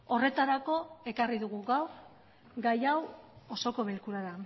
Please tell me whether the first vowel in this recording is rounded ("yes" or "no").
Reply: yes